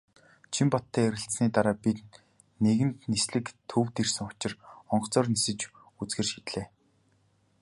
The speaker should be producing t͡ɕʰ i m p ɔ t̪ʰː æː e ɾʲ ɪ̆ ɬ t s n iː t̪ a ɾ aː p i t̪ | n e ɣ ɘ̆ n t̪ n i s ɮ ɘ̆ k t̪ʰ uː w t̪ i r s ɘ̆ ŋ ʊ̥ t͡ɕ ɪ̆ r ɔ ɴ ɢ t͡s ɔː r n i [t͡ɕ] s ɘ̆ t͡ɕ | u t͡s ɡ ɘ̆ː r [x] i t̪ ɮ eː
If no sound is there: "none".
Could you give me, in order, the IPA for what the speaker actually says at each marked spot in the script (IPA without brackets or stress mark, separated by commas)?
none, ʃ